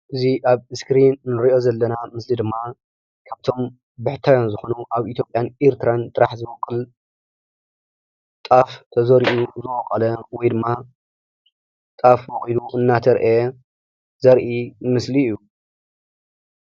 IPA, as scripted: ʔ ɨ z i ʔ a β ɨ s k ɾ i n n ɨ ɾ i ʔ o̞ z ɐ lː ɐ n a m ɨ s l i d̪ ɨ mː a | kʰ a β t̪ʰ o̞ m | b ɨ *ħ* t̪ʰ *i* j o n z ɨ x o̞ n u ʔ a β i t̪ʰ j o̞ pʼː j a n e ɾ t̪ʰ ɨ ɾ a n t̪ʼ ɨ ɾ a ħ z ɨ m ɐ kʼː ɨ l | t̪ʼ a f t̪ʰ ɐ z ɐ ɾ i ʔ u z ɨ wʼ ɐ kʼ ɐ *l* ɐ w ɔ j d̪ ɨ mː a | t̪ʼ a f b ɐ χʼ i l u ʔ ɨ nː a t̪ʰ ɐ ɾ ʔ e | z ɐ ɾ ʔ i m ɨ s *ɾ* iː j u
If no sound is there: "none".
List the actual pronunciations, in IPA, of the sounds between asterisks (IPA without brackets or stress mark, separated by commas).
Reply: ħ, a, l, l